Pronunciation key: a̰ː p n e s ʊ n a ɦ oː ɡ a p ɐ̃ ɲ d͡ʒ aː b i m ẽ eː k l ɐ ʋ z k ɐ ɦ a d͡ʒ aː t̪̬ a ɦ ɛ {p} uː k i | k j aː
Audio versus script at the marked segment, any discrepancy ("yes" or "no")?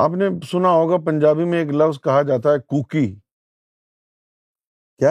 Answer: yes